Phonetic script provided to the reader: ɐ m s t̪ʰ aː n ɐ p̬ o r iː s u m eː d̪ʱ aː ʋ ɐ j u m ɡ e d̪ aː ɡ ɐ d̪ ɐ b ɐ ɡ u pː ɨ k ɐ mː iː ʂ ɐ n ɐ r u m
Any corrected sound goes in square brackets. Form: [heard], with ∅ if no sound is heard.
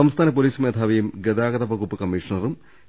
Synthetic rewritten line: ɐ m s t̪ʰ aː n ɐ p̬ o [l] iː s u m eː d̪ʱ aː ʋ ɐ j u m ɡ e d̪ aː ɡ ɐ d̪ ɐ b ɐ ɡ u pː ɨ k ɐ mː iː ʂ ɐ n ɐ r u m